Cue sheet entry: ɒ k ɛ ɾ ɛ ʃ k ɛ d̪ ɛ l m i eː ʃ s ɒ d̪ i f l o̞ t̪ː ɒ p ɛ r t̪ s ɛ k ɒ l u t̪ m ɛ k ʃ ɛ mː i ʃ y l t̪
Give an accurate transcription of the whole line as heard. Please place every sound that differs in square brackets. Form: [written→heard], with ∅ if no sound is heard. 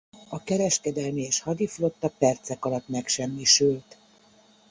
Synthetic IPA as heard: ɒ k ɛ ɾ ɛ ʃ k ɛ d̪ ɛ l m i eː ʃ [s→h] ɒ d̪ i f l o̞ t̪ː ɒ p ɛ r t̪ s ɛ k ɒ l [u→ɒ] t̪ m ɛ k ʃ ɛ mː i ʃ y l t̪